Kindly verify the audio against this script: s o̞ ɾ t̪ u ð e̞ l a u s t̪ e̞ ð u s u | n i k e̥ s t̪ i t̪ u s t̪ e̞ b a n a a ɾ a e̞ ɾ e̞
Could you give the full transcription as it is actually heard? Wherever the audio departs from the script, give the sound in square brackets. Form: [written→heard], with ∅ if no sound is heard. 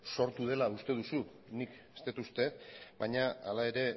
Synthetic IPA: s o̞ ɾ t̪ u ð e̞ l a u s t̪ e̞ ð u s u | n i k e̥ s t̪ [i→e] t̪ u s t̪ e̞ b a [n→ɲ] a a [ɾ→l] a e̞ ɾ e̞